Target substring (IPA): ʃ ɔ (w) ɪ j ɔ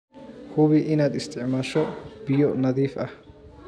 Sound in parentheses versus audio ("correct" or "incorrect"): incorrect